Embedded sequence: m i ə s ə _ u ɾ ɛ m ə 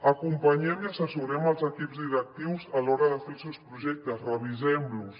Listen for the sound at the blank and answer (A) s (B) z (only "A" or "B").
A